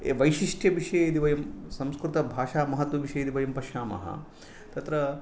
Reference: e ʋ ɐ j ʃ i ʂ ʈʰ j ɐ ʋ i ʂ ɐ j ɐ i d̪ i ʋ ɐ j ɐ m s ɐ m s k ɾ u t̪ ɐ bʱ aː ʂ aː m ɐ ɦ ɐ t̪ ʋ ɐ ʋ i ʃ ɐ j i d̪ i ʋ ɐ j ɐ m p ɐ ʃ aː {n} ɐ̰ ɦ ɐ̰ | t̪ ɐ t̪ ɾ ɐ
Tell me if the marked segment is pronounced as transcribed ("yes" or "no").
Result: no